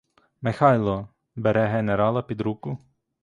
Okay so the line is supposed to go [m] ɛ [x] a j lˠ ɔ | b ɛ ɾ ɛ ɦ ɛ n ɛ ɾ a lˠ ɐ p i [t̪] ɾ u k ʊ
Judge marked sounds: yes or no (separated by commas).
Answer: yes, yes, no